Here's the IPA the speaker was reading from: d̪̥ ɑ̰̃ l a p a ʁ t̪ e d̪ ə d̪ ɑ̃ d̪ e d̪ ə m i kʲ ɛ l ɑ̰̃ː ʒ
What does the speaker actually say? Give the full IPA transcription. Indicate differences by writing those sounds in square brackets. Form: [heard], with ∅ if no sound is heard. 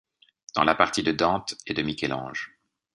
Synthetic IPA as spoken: d̪̥ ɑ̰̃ l a p a ʁ t̪ [i] d̪ ə d̪ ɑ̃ [t̪] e d̪ ə m i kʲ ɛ l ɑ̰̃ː ʒ

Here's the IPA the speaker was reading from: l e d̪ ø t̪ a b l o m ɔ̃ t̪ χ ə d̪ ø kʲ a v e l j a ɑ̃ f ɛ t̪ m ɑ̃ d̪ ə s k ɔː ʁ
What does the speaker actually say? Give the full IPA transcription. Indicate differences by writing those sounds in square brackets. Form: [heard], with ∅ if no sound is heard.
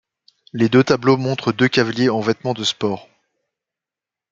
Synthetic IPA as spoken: l e d̪ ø t̪ a b l o m ɔ̃ t̪ χ ə d̪ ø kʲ a v [a] l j [e] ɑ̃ [v] ɛ t̪ m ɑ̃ d̪ ə s [p] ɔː ʁ

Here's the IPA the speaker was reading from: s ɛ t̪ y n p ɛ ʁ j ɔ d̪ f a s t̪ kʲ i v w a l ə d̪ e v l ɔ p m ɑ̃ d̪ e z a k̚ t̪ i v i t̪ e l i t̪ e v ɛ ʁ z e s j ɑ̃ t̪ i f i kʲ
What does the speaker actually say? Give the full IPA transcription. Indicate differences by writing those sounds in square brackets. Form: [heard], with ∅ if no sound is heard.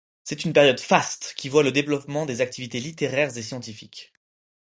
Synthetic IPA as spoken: s ɛ t̪ y n p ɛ ʁ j ɔ d̪ f a s t̪ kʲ i v w a l ə d̪ e v l ɔ p m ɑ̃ d̪ e z a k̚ t̪ i v i t̪ e l i t̪ e [ʁ] ɛ ʁ z e s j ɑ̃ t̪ i f i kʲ

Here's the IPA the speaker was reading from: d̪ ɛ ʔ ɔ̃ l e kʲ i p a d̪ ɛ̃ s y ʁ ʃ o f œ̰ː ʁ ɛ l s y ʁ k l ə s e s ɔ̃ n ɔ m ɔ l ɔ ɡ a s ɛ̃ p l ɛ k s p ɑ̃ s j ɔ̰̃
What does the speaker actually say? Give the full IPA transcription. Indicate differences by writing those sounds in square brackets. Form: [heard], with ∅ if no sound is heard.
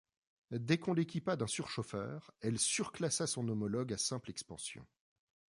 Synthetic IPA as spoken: d̪ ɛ [k] ɔ̃ l e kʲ i p a d̪ ɛ̃ s y ʁ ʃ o f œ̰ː ʁ ɛ l s y ʁ k l [a] s [a] s ɔ̃ n ɔ m ɔ l ɔ ɡ a s ɛ̃ p l ɛ k s p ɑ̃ s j ɔ̰̃

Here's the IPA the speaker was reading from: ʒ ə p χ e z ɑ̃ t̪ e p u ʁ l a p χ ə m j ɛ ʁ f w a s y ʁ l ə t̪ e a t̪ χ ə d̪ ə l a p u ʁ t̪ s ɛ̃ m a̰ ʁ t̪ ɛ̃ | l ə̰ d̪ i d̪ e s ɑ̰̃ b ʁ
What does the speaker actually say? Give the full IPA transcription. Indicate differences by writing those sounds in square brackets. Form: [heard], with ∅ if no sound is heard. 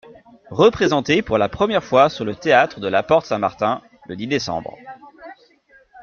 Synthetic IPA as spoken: [ʁ] ə p χ e z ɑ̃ t̪ e p u ʁ l a p χ ə m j ɛ ʁ f w a s y ʁ l ə t̪ e a t̪ χ ə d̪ ə l a p [ɔ] ʁ t̪ s ɛ̃ m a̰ ʁ t̪ ɛ̃ | l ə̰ d̪ i d̪ e s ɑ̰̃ b ʁ

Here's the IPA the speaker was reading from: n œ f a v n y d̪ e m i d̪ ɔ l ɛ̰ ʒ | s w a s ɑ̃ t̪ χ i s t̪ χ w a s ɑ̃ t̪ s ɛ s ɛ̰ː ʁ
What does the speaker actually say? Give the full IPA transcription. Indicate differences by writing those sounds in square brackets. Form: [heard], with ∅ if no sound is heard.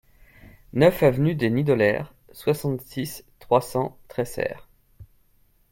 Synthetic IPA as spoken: n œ f a v n y d̪ e [n] i d̪ ɔ l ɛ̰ [ʁ] | s w a s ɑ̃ t̪ [s] i s t̪ χ w a s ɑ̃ t̪ [χ] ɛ s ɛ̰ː ʁ

